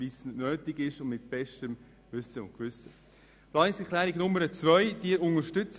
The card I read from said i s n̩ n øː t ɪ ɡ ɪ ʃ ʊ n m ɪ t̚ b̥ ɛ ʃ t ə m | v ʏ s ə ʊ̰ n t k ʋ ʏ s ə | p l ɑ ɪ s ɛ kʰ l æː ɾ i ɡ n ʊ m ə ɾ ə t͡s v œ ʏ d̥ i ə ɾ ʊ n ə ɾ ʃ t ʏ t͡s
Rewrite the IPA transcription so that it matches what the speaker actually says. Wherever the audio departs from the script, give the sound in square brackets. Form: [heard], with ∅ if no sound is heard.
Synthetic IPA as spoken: i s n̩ n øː t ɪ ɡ ɪ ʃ ʊ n m ɪ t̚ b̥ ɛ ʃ t ə m | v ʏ s ə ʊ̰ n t k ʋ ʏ s ə | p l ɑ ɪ s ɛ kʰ l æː ɾ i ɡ n ʊ m ə ɾ ə t͡s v œ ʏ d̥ i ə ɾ ʊ n ə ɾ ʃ t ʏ t͡s